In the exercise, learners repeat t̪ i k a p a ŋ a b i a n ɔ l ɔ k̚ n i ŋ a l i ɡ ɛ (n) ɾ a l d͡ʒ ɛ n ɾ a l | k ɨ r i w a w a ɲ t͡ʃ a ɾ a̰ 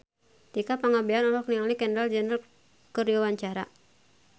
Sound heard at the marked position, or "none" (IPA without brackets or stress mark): n